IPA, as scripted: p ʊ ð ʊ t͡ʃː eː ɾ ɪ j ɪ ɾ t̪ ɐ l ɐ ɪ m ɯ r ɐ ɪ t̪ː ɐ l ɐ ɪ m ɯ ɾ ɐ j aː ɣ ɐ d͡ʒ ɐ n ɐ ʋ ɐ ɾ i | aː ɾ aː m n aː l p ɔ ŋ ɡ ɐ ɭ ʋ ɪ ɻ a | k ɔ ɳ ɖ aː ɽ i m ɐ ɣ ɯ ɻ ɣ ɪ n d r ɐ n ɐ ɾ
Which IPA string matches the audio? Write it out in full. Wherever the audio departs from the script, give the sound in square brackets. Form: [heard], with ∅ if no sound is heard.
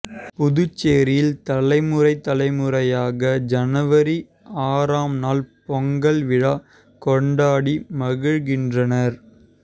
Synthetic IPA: p ʊ ð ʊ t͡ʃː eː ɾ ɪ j ɪ [l] t̪ ɐ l ɐ ɪ m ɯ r ɐ ɪ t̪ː ɐ l ɐ ɪ m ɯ ɾ ɐ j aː ɣ ɐ d͡ʒ ɐ n ɐ ʋ ɐ ɾ i | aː ɾ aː m n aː l p ɔ ŋ ɡ ɐ ɭ ʋ ɪ ɻ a | k ɔ ɳ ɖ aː ɽ i m ɐ ɣ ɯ ɻ ɣ ɪ n d r ɐ n ɐ ɾ